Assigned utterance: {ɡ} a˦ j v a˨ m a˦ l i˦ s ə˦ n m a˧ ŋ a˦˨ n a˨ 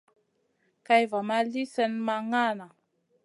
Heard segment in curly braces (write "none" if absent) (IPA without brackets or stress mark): k